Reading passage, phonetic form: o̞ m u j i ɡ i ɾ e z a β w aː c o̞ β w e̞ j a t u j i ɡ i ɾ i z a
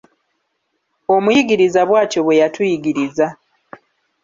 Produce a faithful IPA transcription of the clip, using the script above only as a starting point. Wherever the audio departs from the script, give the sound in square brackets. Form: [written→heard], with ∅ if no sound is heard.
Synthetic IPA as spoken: o̞ m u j i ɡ i ɾ [e→i] z a β w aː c o̞ β w e̞ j a t u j i ɡ i ɾ i z a